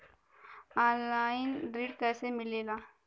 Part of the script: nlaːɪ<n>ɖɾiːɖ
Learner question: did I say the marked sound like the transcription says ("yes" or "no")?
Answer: yes